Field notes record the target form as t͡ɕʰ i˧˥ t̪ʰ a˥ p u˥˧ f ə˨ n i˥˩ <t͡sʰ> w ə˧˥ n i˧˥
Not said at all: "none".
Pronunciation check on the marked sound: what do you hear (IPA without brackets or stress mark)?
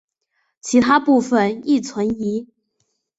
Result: t͡sʰ